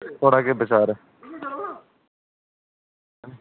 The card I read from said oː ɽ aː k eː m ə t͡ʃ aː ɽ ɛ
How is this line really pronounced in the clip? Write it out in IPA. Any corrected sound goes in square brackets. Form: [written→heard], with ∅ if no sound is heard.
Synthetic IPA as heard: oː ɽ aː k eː [m→b] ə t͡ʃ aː [ɽ→ɾ] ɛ